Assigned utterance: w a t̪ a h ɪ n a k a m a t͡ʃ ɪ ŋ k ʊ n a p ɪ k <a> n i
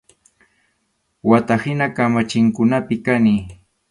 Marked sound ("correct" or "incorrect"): correct